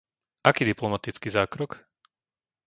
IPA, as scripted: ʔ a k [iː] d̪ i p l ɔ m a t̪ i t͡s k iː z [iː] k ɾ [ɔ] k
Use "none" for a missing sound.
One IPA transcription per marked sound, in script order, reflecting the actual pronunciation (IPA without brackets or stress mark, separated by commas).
iː, aː, ɔ